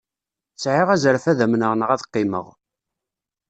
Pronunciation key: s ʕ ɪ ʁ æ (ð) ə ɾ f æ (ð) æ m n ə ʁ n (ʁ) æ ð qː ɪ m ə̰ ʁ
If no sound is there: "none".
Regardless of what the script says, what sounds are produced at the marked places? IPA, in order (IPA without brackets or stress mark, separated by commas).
z, ð, ʁ